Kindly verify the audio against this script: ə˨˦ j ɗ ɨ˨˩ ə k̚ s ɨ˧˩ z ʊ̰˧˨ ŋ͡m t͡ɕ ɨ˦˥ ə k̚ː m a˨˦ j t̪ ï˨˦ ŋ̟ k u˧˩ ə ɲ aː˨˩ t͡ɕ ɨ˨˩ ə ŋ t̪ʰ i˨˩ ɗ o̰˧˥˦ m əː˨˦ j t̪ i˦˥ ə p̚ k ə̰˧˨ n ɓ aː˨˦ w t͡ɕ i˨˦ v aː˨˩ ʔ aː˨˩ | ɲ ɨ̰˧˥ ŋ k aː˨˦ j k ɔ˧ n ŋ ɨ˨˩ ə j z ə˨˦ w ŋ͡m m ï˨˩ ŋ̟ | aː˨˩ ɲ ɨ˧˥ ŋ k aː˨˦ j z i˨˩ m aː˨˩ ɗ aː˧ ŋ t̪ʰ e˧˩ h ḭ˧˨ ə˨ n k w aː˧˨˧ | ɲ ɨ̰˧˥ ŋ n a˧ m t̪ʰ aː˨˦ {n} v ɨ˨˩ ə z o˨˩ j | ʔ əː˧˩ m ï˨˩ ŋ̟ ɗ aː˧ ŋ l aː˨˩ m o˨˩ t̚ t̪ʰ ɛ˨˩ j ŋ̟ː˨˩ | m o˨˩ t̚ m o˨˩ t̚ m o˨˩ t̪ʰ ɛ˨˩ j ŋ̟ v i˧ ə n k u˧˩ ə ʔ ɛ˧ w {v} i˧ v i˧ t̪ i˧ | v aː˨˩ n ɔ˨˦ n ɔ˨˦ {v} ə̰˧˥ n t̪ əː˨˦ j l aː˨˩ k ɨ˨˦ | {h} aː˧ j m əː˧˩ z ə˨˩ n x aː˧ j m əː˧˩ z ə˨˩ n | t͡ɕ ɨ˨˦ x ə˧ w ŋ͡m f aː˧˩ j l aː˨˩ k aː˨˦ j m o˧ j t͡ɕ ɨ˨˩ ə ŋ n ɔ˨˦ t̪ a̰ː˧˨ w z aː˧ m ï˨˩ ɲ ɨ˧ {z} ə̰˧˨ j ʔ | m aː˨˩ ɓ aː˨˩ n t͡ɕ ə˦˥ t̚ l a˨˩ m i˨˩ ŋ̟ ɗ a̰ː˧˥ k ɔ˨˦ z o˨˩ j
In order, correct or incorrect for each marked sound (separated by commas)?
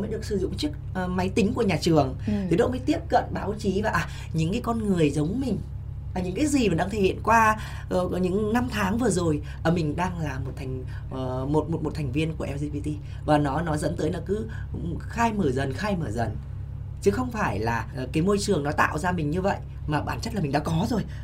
incorrect, incorrect, incorrect, incorrect, incorrect